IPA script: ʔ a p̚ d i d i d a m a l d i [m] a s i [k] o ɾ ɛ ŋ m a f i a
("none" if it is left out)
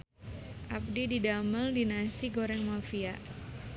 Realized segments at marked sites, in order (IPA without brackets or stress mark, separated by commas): n, ɡ